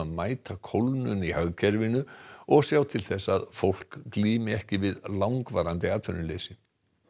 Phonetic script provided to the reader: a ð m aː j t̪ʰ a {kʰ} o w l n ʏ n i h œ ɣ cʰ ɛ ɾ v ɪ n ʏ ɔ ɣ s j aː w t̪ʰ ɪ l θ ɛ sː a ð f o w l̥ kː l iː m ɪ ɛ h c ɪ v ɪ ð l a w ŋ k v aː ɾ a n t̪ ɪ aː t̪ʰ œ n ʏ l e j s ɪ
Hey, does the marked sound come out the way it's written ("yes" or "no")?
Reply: yes